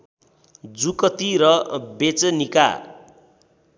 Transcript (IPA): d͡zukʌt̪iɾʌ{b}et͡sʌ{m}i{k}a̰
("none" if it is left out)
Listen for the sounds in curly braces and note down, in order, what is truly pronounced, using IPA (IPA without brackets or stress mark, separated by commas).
b, n, k